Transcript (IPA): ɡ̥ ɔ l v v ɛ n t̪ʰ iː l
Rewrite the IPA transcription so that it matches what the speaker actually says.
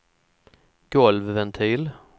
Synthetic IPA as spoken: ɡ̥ ɔ l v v ɛ n t̪ʰ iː l